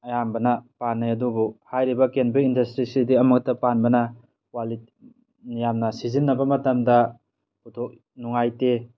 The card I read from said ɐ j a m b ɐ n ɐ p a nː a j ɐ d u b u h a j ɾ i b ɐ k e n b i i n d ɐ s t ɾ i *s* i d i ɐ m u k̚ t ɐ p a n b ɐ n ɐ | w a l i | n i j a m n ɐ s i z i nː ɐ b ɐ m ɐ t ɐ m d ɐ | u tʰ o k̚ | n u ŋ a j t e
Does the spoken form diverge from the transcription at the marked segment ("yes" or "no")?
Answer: no